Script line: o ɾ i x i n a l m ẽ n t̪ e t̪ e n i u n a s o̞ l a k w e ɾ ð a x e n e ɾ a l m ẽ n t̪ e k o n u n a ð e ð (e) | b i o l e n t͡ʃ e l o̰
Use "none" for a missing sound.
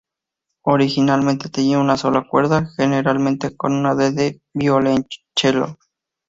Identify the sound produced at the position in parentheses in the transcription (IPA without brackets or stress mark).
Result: e